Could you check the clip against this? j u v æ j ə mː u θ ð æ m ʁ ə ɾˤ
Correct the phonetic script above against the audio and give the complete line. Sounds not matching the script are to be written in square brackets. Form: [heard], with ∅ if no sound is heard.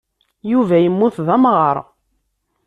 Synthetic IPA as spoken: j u v æ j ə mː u θ ð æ m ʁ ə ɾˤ